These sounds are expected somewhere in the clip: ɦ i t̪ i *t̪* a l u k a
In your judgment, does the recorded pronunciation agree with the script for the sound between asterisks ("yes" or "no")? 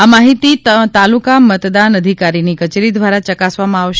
yes